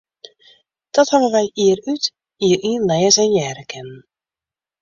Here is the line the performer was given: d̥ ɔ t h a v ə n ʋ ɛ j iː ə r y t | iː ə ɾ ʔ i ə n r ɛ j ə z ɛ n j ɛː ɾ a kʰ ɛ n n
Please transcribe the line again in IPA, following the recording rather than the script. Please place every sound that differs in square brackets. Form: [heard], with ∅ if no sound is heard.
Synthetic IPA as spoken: d̥ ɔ t h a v ə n ʋ ɛ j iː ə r y t | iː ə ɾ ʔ i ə n [l] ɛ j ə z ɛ n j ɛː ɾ [ə] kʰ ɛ n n